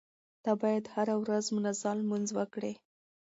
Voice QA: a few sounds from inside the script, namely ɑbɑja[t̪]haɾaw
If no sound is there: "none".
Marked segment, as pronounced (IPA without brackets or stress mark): d̪